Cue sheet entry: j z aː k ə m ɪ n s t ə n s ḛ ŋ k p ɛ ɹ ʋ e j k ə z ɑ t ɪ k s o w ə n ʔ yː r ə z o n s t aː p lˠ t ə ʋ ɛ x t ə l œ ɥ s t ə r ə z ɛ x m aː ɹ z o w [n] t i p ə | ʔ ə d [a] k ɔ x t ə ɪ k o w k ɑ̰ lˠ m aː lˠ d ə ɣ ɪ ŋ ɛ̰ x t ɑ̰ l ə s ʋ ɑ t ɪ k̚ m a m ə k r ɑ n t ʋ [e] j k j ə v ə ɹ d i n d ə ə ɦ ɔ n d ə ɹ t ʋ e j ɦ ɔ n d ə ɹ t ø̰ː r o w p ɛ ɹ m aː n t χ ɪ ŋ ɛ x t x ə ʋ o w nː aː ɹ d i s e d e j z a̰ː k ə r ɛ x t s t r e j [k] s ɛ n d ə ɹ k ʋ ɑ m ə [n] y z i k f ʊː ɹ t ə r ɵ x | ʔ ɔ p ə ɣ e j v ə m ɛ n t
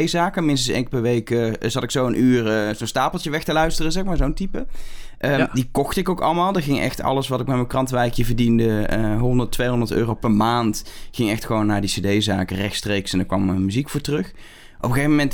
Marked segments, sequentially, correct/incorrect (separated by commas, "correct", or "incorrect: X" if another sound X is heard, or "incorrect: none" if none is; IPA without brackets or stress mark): correct, incorrect: i, incorrect: ɛ, correct, incorrect: m